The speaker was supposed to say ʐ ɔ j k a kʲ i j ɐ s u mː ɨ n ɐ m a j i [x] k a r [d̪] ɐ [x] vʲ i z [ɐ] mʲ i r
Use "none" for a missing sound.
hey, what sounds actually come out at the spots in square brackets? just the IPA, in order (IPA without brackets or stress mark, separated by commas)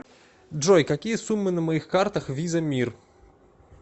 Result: x, t̪, x, ɐ